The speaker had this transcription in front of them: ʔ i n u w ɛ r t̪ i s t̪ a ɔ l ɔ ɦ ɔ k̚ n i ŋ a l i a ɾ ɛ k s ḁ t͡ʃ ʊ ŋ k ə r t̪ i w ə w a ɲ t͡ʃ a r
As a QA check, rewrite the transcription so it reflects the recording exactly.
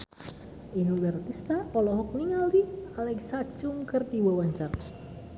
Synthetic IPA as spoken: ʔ i n u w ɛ r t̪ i s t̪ a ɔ l ɔ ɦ ɔ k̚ n i ŋ a l i a l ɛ k s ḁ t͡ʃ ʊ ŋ k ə r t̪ i w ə w a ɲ t͡ʃ a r